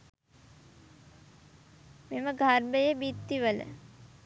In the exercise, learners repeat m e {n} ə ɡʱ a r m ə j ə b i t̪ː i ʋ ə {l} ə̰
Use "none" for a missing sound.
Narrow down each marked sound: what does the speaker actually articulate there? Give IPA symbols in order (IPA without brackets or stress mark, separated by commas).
m, l